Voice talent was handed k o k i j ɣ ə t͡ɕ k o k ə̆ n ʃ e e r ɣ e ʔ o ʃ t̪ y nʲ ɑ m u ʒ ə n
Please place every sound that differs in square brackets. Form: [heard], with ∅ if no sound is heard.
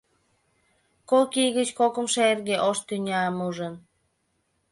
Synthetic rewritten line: k o k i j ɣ ə t͡ɕ k o k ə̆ [m] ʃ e e r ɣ e ʔ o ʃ t̪ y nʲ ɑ m u ʒ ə n